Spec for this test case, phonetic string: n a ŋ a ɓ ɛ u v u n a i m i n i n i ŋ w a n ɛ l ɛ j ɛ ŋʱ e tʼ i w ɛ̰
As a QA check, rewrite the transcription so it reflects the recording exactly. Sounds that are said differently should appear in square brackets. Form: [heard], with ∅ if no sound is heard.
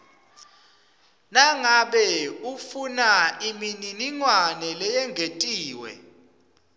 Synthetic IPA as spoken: n a ŋ a ɓ ɛ u [f] u n a i m i n i n i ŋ w a n ɛ l ɛ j ɛ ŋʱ e tʼ [iː] w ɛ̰

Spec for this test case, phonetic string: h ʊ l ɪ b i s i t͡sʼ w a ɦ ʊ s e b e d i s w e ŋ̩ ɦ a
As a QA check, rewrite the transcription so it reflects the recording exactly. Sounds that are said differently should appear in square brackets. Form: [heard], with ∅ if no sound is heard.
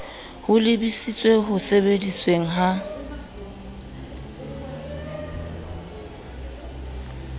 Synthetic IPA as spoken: h ʊ l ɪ b i s i t͡sʼ w [e] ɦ ʊ s e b e d i s w e ŋ̩ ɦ a

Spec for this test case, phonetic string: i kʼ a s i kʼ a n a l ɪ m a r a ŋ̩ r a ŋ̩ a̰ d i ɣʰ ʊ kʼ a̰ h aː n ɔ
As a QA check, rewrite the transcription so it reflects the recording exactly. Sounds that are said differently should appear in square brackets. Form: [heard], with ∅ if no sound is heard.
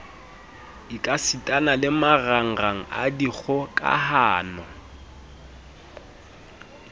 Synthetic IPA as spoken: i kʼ a s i [tʼ] a n a l ɪ m a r a ŋ̩ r a ŋ̩ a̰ d i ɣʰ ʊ kʼ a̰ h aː n ɔ

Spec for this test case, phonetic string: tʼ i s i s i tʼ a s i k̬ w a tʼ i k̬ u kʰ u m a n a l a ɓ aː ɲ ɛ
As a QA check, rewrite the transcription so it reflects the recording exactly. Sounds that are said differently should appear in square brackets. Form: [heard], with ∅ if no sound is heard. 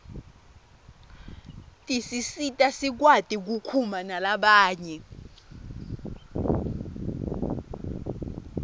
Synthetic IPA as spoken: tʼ i s i s i tʼ a s i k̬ w a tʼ i k̬ u kʰ u m a n a l a ɓ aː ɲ ɛ

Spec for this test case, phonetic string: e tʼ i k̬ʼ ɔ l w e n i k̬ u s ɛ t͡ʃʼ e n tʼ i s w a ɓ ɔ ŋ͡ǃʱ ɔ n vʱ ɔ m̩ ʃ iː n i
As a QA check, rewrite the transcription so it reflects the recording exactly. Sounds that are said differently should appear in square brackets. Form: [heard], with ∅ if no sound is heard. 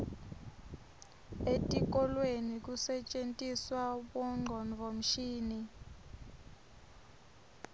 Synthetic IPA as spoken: e tʼ i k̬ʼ ɔ l w e n i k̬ u s ɛ t͡ʃʼ e n tʼ i s w a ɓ ɔ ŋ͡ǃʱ ɔ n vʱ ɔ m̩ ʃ iː n i

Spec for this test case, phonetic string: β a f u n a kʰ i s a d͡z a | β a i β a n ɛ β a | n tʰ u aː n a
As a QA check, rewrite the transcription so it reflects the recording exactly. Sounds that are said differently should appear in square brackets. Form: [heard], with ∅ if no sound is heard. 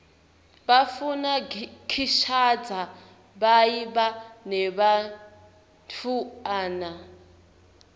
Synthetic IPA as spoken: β a f u n a kʰ i [ʃ] a d͡z a | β a i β a n ɛ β a | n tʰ u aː n a

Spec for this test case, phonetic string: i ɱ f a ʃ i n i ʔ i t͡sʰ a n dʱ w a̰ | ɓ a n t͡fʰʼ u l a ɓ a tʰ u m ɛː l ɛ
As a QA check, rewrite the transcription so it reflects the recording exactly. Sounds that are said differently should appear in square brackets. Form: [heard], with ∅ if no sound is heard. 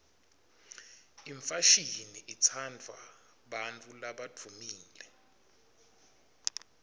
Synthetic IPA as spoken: i ɱ f a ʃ i n i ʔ i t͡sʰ a n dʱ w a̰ | ɓ a n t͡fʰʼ u l a ɓ a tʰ u m [iː] l ɛ

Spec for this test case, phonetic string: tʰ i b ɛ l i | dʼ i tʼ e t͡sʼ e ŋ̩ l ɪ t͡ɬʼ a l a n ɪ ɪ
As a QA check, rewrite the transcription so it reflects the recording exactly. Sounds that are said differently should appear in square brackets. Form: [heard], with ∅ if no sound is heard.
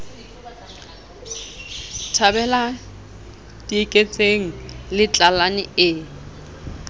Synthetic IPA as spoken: tʰ [a] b ɛ l [a] | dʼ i [kʼ] e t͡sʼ e ŋ̩ l ɪ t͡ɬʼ a l a n ɪ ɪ

